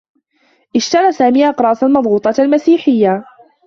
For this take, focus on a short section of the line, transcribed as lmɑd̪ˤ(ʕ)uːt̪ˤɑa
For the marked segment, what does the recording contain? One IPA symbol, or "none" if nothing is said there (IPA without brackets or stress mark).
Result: ɣ